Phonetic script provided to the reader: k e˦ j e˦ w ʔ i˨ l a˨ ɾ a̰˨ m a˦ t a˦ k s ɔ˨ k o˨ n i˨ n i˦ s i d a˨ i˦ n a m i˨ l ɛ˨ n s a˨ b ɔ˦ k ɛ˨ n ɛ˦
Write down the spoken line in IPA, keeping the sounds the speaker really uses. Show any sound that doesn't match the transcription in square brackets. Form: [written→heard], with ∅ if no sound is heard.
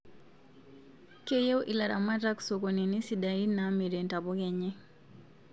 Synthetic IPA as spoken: k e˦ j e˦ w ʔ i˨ l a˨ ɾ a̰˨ m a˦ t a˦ k s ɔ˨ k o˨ n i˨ n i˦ s i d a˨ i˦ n a m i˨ [l→ɾ] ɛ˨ n [s→t] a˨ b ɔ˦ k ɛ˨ [n→ɲ] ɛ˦